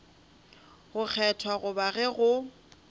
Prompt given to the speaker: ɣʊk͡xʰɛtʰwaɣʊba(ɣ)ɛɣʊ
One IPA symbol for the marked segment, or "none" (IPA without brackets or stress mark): ɣ